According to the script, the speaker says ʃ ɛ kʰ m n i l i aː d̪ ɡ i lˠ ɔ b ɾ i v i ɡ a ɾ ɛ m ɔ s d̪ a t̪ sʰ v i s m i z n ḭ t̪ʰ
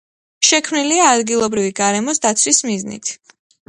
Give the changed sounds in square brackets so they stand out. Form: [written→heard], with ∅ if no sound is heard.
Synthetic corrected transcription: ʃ ɛ kʰ m n i l i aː d̪ ɡ i lˠ ɔ b ɾ i v i ɡ a ɾ ɛ m ɔ s d̪ a t̪ sʰ [v→w] i s m i z n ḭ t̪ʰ

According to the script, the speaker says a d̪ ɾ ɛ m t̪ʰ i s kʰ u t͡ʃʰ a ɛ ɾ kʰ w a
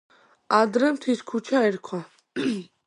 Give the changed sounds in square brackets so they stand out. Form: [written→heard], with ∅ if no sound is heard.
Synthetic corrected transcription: a d̪ ɾ ɛ m t̪ʰ i s kʰ u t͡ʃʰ a ɛ ɾ kʰ w a

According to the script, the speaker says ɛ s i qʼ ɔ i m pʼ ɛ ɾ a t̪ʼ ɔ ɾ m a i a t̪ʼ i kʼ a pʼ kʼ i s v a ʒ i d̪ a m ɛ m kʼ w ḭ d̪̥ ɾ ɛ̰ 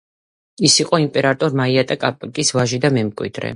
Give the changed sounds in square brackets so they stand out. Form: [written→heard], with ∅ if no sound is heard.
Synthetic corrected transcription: [ɛ→i] s i qʼ ɔ i m pʼ ɛ ɾ a t̪ʼ ɔ ɾ m a i a t̪ʼ [i→a] kʼ a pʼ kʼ i s v a ʒ i d̪ a m ɛ m kʼ w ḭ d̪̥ ɾ ɛ̰

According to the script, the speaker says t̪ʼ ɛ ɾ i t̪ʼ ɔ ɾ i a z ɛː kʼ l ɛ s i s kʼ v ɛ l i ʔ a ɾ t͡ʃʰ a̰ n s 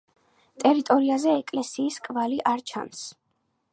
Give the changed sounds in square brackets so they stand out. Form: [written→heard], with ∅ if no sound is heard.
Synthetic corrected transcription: t̪ʼ ɛ ɾ i t̪ʼ ɔ ɾ i a z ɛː kʼ l ɛ s [i→iː] s kʼ v [ɛ→a] l i ʔ a ɾ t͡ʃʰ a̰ n s

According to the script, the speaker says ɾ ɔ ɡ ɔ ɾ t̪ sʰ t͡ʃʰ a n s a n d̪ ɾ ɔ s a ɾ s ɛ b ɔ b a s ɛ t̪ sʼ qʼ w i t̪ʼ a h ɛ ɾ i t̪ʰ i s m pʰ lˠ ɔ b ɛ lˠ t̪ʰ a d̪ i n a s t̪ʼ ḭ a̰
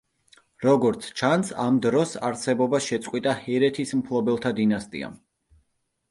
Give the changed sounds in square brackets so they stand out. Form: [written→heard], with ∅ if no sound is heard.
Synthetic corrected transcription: ɾ ɔ ɡ ɔ ɾ t̪ sʰ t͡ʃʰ a n s a [n→m] d̪ ɾ ɔ s a ɾ s ɛ b ɔ b a [s→ʃ] ɛ t̪ sʼ qʼ w i t̪ʼ a h ɛ ɾ [i→ɛ] t̪ʰ i s m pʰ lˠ ɔ b ɛ lˠ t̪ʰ a d̪ i n a s t̪ʼ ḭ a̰

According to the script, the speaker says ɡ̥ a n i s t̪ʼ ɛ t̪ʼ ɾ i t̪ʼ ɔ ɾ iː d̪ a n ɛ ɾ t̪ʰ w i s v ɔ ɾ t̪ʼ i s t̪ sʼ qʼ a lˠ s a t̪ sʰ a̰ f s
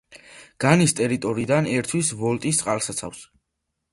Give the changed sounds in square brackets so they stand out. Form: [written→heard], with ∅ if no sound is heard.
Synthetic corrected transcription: ɡ̥ a n i s t̪ʼ ɛ [t̪ʼ→∅] ɾ i t̪ʼ ɔ ɾ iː d̪ a n ɛ ɾ t̪ʰ w i s v ɔ [ɾ→l] t̪ʼ i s t̪ sʼ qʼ a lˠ s a t̪ sʰ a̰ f s

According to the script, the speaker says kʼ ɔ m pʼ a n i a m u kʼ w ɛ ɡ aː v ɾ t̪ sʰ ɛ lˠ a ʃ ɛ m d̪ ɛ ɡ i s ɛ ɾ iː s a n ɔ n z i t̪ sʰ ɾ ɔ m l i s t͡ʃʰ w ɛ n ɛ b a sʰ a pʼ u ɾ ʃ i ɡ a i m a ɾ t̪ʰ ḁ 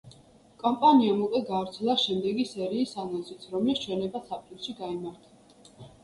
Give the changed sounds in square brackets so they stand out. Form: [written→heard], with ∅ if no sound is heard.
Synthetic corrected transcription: kʼ ɔ m pʼ a n i a m u kʼ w ɛ ɡ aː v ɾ t̪ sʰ ɛ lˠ a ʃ ɛ m d̪ ɛ ɡ i s ɛ ɾ iː s a n ɔ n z i t̪ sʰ ɾ ɔ m l i s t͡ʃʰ w ɛ n ɛ b a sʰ a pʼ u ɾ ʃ i ɡ a i m a ɾ t̪ʰ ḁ

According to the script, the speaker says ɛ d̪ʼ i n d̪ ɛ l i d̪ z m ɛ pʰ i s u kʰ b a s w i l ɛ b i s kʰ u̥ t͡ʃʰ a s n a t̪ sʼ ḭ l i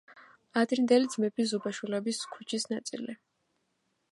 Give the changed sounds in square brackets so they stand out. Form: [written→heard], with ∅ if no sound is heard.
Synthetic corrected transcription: [ɛ→a] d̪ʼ i n d̪ ɛ l i d̪ z m ɛ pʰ i [s→z] u [kʰ→∅] b a [s→ʃ] w i l ɛ b i s kʰ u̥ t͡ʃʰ [a→i] s n a t̪ sʼ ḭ l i

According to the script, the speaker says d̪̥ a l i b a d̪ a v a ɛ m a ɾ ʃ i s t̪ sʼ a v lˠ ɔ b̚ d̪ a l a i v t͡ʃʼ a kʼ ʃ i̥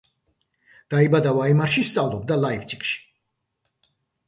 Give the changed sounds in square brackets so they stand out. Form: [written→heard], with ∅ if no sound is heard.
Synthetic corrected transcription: d̪̥ a [l→∅] i b a d̪ a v a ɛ m a ɾ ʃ i s t̪ sʼ a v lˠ ɔ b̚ d̪ a l a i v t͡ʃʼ [a→i] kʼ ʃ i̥

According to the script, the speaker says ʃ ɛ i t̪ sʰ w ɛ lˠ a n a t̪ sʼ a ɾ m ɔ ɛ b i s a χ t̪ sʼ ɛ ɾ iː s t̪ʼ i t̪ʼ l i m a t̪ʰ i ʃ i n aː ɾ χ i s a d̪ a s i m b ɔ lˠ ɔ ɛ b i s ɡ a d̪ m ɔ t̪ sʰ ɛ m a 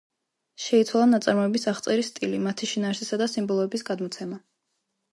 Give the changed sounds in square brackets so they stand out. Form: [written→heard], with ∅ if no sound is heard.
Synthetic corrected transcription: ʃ ɛ i t̪ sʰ w [ɛ→a] lˠ a n a t̪ sʼ a ɾ m ɔ ɛ b i s a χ t̪ sʼ ɛ ɾ [iː→i] s t̪ʼ i [t̪ʼ→∅] l i m a t̪ʰ i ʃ i n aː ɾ [χ→s] i s a d̪ a s i m b ɔ lˠ ɔ ɛ b i s ɡ a d̪ m ɔ t̪ sʰ ɛ m a

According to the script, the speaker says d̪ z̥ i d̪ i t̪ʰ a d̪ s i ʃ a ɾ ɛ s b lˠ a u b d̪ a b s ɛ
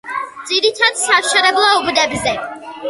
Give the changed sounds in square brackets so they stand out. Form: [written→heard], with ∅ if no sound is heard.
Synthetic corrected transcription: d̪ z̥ i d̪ i t̪ʰ a d̪ s [i→a] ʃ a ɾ ɛ [s→∅] b lˠ a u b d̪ [a→ɛ] b [s→z] ɛ

